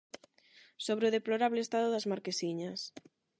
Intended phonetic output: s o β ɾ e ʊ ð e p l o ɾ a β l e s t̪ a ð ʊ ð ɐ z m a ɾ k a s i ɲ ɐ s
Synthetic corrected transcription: s o β ɾ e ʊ ð e p l o ɾ a β l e s t̪ a ð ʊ ð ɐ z m a ɾ k e s i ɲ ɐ s